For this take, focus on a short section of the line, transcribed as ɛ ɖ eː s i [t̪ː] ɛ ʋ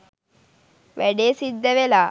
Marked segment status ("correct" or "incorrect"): incorrect